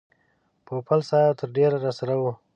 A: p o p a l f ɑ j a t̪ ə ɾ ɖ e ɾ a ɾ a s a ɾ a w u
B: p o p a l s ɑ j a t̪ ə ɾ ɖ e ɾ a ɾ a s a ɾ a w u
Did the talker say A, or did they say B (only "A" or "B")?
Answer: B